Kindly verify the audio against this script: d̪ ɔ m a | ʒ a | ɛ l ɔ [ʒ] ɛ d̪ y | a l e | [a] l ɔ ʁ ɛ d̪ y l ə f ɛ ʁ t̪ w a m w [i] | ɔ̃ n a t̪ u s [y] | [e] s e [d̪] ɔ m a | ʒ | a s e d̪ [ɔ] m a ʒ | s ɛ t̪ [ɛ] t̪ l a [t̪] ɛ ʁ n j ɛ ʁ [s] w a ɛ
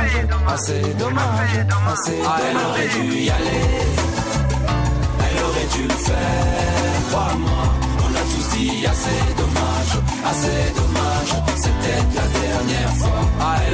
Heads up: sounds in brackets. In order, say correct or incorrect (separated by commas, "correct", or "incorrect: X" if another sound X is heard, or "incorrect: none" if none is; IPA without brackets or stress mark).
incorrect: ʁ, incorrect: ɛ, incorrect: a, incorrect: i, incorrect: a, correct, correct, correct, incorrect: d̪, incorrect: f